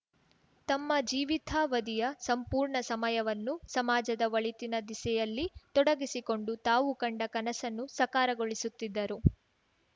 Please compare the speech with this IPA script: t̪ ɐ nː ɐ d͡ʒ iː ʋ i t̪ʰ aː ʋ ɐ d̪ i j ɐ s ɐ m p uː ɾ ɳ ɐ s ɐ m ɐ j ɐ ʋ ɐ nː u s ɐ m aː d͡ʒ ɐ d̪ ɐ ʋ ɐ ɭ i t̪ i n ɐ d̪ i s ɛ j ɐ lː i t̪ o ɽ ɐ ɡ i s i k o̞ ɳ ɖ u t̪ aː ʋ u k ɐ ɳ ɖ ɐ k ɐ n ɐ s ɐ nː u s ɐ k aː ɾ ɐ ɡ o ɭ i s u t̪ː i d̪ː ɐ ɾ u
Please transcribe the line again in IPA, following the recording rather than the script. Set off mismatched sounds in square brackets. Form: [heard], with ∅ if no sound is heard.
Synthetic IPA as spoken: t̪ ɐ [mː] ɐ d͡ʒ iː ʋ i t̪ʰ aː ʋ ɐ d̪ i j ɐ s ɐ m p uː ɾ ɳ ɐ s ɐ m ɐ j ɐ ʋ ɐ nː u s ɐ m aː d͡ʒ ɐ d̪ ɐ ʋ ɐ ɭ i t̪ i n ɐ d̪ i s ɛ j ɐ lː i t̪ [ɔ] ɽ ɐ ɡ i s i k o̞ ɳ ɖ u t̪ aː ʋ u k ɐ ɳ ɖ ɐ k ɐ n ɐ s ɐ nː u s ɐ k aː ɾ ɐ ɡ o ɭ i s u t̪ː i d̪ː ɐ ɾ u